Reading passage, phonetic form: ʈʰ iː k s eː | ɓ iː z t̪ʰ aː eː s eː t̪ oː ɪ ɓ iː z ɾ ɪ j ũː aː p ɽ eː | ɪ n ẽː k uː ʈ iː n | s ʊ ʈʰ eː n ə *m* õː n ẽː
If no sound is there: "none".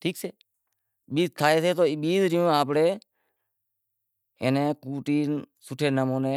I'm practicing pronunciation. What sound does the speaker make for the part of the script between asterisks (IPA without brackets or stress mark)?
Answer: m